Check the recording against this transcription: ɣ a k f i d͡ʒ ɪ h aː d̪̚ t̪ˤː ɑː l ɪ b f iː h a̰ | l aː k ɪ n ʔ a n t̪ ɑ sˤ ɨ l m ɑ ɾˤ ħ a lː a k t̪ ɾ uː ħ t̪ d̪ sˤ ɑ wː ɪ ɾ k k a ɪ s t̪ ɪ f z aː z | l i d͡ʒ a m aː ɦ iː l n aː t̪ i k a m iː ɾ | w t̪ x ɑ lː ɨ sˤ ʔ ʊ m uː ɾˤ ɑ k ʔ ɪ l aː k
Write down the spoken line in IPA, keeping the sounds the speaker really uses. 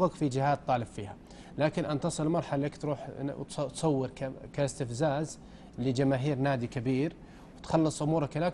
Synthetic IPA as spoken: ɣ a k f i d͡ʒ ɪ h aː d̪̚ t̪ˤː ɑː l ɪ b f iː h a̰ | l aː k ɪ n ʔ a n t̪ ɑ sˤ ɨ l m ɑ ɾˤ ħ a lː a k t̪ ɾ uː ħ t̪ t̪ sˤ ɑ wː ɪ ɾ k k a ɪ s t̪ ɪ f z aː z | l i d͡ʒ a m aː ɦ iː ɾ n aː d̪ i k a b iː ɾ | w t̪ x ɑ lː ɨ sˤ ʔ ʊ m uː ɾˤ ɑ k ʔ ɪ l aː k